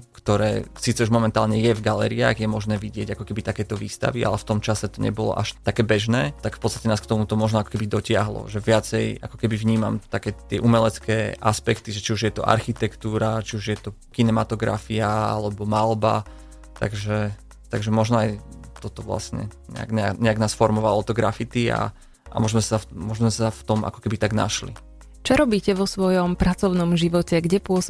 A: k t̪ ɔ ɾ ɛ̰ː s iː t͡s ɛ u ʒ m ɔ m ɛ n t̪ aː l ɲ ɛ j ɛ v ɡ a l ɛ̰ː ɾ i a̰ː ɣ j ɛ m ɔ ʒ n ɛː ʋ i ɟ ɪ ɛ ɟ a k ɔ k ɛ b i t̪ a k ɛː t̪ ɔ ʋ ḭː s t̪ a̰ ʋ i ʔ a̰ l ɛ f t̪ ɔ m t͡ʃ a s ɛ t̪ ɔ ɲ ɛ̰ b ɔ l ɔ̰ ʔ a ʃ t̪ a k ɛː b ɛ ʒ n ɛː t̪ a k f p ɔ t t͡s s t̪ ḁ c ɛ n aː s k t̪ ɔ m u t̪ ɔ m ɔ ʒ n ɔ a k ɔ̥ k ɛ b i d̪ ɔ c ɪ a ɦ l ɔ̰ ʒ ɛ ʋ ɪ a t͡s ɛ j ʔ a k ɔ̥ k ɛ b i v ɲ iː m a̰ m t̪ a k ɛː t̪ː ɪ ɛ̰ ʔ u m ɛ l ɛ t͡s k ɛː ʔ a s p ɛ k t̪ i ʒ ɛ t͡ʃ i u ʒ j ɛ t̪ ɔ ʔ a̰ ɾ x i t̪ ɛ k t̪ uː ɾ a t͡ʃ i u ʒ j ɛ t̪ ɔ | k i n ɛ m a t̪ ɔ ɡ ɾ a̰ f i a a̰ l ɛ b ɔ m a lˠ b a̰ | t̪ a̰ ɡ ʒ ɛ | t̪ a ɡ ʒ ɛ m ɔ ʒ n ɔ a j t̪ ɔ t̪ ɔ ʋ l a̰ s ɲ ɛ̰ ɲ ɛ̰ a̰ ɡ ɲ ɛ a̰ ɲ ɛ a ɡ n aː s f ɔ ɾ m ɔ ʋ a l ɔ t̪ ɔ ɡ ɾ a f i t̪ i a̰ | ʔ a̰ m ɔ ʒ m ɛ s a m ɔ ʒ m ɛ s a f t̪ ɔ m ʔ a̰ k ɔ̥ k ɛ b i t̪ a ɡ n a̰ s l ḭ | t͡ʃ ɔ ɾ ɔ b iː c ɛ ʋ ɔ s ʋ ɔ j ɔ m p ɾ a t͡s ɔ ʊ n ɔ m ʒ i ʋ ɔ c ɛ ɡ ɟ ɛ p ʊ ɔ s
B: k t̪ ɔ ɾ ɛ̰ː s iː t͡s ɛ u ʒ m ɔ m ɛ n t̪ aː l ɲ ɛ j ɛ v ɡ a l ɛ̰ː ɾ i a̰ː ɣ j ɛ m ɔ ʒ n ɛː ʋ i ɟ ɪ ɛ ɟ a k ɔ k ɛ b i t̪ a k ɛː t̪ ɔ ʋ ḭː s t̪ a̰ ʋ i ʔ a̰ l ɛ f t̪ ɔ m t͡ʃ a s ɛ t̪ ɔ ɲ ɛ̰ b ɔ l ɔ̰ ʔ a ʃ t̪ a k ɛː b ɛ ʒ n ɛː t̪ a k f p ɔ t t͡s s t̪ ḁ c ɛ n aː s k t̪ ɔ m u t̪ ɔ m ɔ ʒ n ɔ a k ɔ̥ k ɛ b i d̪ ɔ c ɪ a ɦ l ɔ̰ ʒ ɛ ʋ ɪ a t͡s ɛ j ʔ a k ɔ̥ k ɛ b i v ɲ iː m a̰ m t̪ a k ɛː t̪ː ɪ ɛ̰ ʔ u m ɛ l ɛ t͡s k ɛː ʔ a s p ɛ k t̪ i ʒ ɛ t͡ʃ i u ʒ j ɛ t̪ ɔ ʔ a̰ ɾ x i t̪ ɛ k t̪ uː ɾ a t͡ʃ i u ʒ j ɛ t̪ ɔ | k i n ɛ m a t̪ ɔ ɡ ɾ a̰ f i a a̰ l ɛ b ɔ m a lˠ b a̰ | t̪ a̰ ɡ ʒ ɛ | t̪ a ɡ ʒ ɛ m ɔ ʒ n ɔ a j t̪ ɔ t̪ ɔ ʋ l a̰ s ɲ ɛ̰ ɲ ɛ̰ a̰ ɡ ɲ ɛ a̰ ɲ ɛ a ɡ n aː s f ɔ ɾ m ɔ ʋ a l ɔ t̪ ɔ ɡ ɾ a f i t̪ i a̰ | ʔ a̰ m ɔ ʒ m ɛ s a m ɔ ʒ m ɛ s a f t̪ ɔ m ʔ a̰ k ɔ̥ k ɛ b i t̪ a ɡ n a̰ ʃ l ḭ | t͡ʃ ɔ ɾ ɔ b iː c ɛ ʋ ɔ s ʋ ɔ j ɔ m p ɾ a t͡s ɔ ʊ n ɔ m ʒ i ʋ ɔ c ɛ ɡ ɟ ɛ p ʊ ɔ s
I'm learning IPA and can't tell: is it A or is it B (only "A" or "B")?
B